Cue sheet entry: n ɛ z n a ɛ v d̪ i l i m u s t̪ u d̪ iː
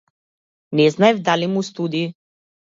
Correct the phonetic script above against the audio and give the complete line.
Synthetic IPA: n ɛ z n a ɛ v d̪ a l i m u s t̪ u d̪ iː